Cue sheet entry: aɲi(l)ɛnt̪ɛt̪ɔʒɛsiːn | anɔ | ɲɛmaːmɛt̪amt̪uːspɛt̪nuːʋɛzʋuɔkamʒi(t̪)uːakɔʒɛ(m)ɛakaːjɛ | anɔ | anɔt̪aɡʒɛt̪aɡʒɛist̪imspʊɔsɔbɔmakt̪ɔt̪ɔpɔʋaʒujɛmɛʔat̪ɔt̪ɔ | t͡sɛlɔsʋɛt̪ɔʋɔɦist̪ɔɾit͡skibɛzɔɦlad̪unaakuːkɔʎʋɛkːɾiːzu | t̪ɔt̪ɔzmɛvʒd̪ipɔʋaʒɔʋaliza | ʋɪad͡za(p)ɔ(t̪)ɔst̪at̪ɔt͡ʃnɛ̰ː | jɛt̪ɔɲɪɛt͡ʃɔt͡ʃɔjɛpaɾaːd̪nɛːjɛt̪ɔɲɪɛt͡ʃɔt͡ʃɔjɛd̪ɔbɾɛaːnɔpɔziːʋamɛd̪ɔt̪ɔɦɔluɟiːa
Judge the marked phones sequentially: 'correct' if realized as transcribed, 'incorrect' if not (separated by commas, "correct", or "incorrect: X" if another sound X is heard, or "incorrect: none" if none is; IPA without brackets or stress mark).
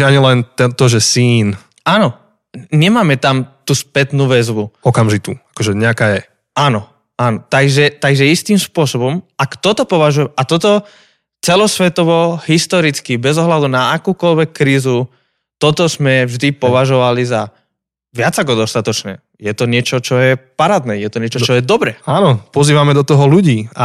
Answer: correct, correct, incorrect: ɲ, incorrect: k, incorrect: d̪